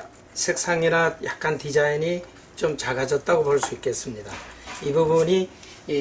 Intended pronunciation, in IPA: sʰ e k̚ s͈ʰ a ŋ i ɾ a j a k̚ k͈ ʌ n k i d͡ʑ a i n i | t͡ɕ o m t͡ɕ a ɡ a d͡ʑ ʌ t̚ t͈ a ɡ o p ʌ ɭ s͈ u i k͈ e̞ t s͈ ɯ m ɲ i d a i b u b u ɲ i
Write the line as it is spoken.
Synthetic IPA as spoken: sʰ e k̚ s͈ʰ a ŋ i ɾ a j a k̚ k͈ a n t i d͡ʑ a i n i | t͡ɕ o m t͡ɕ a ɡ a d͡ʑ ʌ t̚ t͈ a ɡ o p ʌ ɭ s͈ u i k͈ e̞ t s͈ ɯ m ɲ i d a i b u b u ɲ i